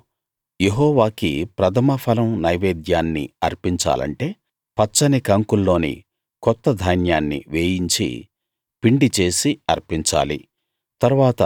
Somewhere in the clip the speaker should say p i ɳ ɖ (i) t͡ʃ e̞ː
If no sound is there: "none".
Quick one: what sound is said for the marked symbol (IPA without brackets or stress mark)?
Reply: i